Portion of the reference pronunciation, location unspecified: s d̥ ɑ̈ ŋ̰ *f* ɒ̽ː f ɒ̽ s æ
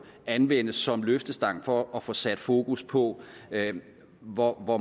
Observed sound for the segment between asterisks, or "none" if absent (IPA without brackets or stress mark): f